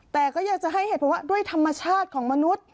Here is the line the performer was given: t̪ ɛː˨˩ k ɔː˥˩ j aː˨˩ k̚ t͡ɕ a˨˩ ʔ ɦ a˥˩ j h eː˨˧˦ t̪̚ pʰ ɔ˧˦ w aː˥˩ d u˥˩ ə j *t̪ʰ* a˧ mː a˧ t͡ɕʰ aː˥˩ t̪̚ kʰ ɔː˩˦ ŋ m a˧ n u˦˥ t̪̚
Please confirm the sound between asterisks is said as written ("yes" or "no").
yes